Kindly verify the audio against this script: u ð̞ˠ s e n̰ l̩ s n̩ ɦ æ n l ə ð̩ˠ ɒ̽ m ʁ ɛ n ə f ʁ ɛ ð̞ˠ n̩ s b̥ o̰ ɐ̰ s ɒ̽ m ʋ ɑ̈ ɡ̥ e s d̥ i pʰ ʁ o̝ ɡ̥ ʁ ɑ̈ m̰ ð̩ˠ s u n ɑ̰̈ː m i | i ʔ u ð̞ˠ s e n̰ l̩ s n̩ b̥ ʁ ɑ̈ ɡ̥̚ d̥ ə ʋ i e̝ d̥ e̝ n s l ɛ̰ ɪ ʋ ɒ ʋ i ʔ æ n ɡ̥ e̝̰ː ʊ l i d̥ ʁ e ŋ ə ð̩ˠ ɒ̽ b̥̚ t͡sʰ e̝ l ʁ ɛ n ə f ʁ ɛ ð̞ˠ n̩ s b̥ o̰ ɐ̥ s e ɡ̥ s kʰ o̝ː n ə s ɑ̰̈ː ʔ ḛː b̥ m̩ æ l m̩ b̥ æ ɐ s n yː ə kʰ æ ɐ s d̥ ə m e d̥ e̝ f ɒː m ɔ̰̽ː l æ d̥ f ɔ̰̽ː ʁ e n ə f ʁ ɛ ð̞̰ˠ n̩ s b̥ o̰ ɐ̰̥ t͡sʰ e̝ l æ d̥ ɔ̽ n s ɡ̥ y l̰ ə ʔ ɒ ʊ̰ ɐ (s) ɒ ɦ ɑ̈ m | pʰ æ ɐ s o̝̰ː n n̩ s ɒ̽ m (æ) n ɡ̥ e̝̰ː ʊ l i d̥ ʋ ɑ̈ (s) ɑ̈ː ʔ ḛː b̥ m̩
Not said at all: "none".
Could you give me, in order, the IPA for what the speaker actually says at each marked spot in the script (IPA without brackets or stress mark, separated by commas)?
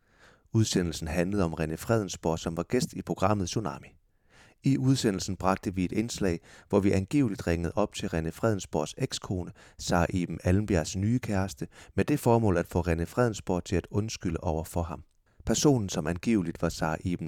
f, æ, s